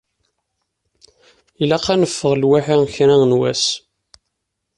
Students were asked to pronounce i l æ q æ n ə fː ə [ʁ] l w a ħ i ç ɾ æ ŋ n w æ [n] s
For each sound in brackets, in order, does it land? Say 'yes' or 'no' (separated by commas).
yes, no